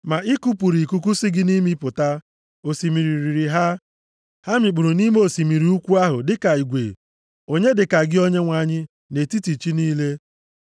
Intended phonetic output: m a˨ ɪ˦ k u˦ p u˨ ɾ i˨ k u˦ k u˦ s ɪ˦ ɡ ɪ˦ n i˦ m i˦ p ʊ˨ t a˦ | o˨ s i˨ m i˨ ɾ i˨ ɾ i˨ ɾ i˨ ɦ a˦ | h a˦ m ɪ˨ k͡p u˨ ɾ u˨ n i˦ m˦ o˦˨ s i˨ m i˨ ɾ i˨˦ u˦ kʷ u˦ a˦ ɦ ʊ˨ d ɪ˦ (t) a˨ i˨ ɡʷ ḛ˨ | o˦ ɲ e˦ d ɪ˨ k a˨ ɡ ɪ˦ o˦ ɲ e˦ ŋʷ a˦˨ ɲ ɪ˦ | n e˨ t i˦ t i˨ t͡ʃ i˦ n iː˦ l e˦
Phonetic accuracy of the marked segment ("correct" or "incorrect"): incorrect